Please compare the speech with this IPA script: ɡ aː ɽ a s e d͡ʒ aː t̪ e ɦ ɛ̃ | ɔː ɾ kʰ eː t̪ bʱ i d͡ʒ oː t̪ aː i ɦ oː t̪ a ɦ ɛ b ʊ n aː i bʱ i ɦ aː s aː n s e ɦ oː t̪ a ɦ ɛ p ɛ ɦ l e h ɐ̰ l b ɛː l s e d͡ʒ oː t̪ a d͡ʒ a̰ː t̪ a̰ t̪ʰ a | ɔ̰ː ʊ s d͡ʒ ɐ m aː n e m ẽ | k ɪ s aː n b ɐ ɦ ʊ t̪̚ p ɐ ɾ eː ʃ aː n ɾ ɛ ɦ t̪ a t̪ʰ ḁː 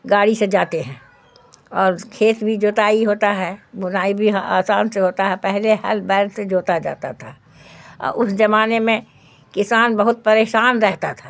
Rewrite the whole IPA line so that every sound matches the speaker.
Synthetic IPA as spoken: ɡ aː ɽ i s e d͡ʒ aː t̪ e ɦ ɛ̃ | ɔː ɾ kʰ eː t̪ bʱ i d͡ʒ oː t̪ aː i ɦ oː t̪ a ɦ ɛ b ʊ n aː i bʱ i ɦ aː s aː n s e ɦ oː t̪ a ɦ ɛ p ɛ ɦ l e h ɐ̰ l b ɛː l s e d͡ʒ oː t̪ a d͡ʒ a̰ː t̪ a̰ t̪ʰ a | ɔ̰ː ʊ s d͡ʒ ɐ m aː n e m ẽ | k ɪ s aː n b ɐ ɦ ʊ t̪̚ p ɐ ɾ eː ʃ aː n ɾ ɛ ɦ t̪ a t̪ʰ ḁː

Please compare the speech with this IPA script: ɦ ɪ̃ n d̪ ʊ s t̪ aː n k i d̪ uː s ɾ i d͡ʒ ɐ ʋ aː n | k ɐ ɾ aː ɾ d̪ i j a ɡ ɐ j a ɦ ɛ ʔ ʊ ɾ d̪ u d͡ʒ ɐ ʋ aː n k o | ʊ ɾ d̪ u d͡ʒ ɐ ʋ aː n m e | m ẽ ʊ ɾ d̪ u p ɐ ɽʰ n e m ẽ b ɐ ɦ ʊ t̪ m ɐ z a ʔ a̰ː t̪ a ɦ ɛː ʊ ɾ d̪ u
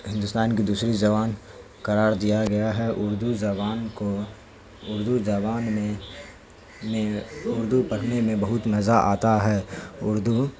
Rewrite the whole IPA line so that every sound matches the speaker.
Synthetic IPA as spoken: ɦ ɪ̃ n d̪ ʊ s t̪ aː n k i d̪ uː s ɾ i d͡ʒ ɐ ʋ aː n | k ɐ ɾ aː ɾ d̪ i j a ɡ ɐ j a ɦ ɛ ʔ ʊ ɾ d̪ u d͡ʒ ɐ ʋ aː n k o | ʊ ɾ d̪ u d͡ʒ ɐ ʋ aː n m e | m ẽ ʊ ɾ d̪ u p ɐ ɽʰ n e m ẽ b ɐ ɦ ʊ t̪ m ɐ z a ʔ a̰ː t̪ a ɦ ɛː ʊ ɾ d̪ u

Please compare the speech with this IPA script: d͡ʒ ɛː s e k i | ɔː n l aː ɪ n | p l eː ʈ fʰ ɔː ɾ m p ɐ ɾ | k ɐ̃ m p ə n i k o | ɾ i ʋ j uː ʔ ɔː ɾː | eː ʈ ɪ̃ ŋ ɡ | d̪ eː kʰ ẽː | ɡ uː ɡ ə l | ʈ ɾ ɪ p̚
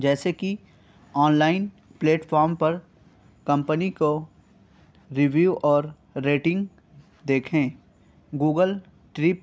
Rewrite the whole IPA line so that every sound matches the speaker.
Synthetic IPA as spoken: d͡ʒ ɛː s e k i | ɔː n l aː ɪ n | p l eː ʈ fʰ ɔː ɾ m p ɐ ɾ | k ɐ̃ m p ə n i k o | ɾ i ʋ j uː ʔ ɔː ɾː | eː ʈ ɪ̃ ŋ ɡ | d̪ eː kʰ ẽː | ɡ uː ɡ ə l | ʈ ɾ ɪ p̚

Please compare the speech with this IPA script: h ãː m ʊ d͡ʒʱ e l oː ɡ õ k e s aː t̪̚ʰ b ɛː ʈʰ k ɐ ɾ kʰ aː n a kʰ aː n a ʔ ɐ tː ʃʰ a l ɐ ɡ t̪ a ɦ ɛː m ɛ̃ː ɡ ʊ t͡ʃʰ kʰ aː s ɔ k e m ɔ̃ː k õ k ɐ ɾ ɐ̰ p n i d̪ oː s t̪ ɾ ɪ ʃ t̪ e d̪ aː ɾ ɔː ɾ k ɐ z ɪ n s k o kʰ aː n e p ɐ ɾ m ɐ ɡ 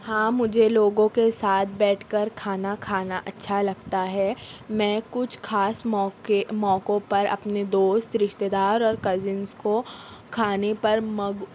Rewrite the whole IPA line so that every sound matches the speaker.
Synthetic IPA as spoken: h ãː m ʊ d͡ʒʱ e l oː ɡ õ k e s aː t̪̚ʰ b ɛː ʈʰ k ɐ ɾ kʰ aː n a kʰ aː n a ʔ ɐ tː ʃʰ a l ɐ ɡ t̪ a ɦ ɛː m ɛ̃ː k ʊ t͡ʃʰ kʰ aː s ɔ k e m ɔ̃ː k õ p ɐ ɾ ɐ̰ p n e d̪ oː s t̪ ɾ ɪ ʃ t̪ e d̪ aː ɾ ɔː ɾ k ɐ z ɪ n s k o kʰ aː n e p ɐ ɾ m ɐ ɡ

